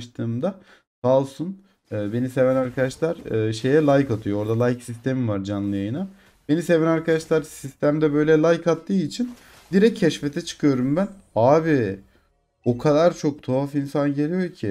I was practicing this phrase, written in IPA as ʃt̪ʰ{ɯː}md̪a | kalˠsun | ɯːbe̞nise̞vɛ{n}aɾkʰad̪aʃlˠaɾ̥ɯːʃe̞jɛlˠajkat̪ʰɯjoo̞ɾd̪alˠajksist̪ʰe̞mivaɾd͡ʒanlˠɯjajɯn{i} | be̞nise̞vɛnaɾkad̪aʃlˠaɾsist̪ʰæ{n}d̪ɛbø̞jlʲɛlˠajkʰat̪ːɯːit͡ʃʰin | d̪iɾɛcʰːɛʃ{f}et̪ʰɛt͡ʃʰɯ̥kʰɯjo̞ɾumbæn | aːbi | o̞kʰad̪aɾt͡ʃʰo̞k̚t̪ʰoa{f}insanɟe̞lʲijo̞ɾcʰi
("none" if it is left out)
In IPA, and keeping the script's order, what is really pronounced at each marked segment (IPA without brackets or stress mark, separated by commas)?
ɯː, n, a, m, f, f